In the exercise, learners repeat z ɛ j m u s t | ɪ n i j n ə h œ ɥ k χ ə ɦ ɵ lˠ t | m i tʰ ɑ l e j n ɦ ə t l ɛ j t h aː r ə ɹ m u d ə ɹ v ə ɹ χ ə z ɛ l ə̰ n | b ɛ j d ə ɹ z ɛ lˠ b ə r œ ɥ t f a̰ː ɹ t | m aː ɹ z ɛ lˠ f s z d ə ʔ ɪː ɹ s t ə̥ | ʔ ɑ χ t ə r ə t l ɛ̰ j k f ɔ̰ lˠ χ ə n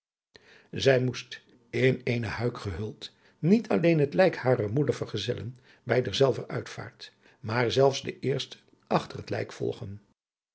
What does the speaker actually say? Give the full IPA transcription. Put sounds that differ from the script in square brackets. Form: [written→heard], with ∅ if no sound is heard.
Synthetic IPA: z ɛ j m u s t | ɪ n [i→e] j n ə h œ ɥ k χ ə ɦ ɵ lˠ t | [m→n] i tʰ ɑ l e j n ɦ ə t l ɛ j [t→k] h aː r ə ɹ m u d ə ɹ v ə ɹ χ ə z ɛ l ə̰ n | b ɛ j d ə ɹ z ɛ lˠ [b→v] ə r œ ɥ t f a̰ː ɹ t | m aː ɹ z ɛ lˠ f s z d ə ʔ ɪː ɹ s t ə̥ | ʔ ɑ χ t ə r ə t l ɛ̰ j k f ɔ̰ lˠ χ ə n

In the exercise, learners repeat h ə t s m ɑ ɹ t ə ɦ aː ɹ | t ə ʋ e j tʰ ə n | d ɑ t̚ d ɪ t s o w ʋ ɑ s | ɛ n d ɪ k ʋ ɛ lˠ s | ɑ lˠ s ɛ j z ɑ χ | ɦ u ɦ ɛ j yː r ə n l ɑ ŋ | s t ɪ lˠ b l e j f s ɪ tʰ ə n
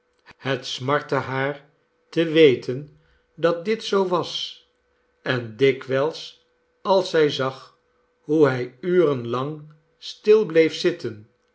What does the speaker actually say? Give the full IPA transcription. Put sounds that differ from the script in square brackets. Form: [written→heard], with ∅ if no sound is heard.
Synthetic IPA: h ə t s m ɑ ɹ t ə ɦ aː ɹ | t ə ʋ e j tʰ ə n | d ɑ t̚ d ɪ t s o w ʋ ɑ s | ɛ n d ɪ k ʋ ɛ lˠ s | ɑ lˠ s ɛ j z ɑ χ | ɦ u ɦ ɛ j yː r ə n l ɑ ŋ | s t ɪ lˠ b l e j f s ɪ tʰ ə n

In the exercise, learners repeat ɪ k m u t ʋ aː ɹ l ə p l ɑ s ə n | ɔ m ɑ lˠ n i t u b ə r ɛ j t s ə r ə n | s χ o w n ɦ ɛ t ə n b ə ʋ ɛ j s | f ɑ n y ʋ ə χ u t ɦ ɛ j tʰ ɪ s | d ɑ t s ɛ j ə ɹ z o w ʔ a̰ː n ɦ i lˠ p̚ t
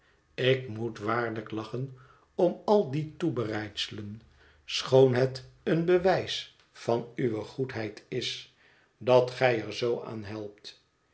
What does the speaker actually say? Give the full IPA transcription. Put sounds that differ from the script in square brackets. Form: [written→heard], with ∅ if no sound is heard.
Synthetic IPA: ɪ k m u t ʋ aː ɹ l ə [p→k] l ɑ [s→χ] ə n | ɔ m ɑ lˠ [n→d] i t u b ə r ɛ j t s ə [r→l] ə n | s χ o w n ɦ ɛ t ə n b ə ʋ ɛ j s | f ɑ n y ʋ ə χ u t ɦ ɛ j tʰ ɪ s | d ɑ t [s→χ] ɛ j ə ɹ z o w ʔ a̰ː n ɦ [i→ɛ] lˠ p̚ t

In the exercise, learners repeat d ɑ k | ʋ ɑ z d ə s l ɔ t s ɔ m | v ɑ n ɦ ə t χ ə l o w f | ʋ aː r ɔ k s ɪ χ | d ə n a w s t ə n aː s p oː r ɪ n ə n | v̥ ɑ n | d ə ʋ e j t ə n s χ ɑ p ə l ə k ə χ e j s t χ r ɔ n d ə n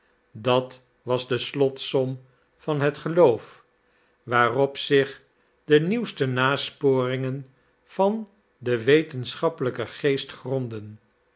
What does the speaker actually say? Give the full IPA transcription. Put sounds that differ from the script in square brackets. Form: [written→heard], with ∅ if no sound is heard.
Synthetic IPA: d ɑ [k→t] | ʋ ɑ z d ə s l ɔ t s ɔ m | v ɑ n ɦ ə t χ ə l o w f | ʋ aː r ɔ [k→p] s ɪ χ | d ə n [a→i] w s t ə n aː s p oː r ɪ [n→ŋ] ə n | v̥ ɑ n | d ə ʋ e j t ə n s χ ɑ p ə l ə k ə χ e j s t χ r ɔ n d ə n

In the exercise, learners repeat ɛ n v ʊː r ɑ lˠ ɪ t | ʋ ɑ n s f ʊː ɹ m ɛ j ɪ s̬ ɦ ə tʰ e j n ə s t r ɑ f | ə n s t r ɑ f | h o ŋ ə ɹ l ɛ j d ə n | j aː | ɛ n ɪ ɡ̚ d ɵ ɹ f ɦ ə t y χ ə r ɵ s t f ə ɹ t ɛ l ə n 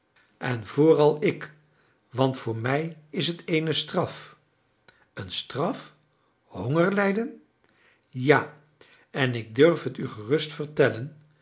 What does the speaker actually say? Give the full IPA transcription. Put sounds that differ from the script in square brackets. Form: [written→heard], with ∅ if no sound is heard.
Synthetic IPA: ɛ n v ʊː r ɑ lˠ ɪ [t→k] | ʋ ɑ n [s→t] f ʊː ɹ m ɛ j ɪ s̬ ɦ ə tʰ e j n ə s t r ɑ f | ə n s t r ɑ f | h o ŋ ə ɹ l ɛ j d ə n | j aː | ɛ n ɪ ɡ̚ d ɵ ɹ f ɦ ə t y χ ə r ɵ s t f ə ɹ t ɛ l ə n

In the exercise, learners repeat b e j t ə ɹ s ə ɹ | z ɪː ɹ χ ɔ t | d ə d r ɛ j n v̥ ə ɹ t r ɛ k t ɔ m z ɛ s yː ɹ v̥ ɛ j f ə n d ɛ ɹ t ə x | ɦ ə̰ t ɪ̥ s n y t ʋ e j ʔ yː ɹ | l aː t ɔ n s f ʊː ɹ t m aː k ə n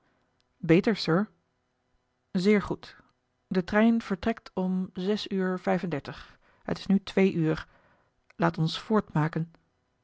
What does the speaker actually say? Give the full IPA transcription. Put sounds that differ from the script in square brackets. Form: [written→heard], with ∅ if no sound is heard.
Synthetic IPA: b e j t ə ɹ s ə ɹ | z ɪː ɹ χ [ɔ→u] t | d ə [d→t] r ɛ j n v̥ ə ɹ t r ɛ k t ɔ m z ɛ s yː ɹ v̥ ɛ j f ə n d ɛ ɹ t ə [x→χ] | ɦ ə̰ t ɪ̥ s n y t ʋ e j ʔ yː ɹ | l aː t ɔ n s f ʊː ɹ t m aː k ə n

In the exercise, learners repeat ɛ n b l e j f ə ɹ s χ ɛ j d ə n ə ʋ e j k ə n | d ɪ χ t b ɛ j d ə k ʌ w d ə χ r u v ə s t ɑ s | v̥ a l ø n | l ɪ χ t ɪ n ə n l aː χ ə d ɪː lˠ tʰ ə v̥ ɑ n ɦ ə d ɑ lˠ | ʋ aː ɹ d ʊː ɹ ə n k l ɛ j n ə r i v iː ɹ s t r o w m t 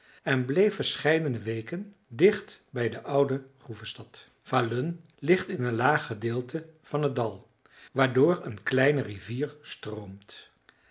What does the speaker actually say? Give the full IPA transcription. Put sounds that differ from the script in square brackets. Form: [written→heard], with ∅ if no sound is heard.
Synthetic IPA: ɛ n b l e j f ə ɹ s χ ɛ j d ə n ə ʋ e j k ə n | d ɪ χ t b ɛ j d ə [k→ʔ] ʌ w d ə χ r u v ə s t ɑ [s→t] | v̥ a l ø n | l ɪ χ t ɪ n ə n l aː χ ə d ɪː lˠ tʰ ə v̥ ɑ n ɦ ə d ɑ lˠ | ʋ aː ɹ d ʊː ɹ ə n k l ɛ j n ə r i v iː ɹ s t r o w m t

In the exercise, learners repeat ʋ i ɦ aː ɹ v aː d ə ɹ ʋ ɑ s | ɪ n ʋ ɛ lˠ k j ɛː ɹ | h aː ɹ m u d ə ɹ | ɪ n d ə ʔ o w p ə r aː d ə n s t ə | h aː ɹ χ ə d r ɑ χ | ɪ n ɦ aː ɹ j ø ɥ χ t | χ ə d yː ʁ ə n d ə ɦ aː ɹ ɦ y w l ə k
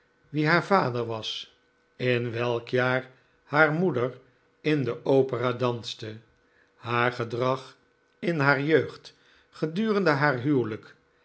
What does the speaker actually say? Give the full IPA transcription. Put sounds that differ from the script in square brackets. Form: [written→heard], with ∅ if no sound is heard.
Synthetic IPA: ʋ i ɦ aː ɹ v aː d ə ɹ ʋ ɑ s | ɪ n ʋ ɛ lˠ k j [ɛː→aː] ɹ | h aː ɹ m u d ə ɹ | ɪ n d ə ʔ o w p ə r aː d [ə→ɑ] n s t ə | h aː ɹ χ ə d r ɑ χ | ɪ n ɦ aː ɹ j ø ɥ χ t | χ ə d yː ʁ ə n d ə ɦ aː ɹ ɦ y w l ə k

